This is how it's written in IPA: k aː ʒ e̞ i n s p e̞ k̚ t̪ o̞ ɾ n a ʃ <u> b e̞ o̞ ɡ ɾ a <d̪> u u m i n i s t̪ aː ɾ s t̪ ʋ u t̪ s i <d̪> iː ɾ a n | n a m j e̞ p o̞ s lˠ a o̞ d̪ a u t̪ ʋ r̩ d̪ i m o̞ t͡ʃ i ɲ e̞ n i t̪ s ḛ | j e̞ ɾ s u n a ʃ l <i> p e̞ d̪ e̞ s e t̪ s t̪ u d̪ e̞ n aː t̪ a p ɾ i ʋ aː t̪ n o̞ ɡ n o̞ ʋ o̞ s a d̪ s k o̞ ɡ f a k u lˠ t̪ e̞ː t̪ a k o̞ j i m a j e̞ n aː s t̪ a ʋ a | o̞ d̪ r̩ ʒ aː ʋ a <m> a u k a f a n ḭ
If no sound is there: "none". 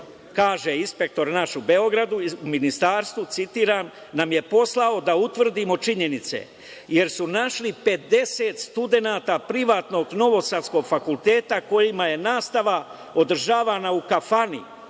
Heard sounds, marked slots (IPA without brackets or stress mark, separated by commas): u, d̪, t̪, i, n